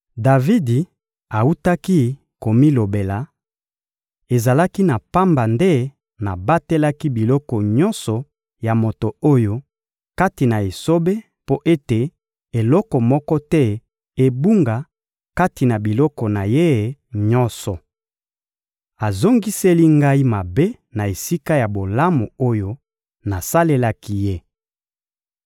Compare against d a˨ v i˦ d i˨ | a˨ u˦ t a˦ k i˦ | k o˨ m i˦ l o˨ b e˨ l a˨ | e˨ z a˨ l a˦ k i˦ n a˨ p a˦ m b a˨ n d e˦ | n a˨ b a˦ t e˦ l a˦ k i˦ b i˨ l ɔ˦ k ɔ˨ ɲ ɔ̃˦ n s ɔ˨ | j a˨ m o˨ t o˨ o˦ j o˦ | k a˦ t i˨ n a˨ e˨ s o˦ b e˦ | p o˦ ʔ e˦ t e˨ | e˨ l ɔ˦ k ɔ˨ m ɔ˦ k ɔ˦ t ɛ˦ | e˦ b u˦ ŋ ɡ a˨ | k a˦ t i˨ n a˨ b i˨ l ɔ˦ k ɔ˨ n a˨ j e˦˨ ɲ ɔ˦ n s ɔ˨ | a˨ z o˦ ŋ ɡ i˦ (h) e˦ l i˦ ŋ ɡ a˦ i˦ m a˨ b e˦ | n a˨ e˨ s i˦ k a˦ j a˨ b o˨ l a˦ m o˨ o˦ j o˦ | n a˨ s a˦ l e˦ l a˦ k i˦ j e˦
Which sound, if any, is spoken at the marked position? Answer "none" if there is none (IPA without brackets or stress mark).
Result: s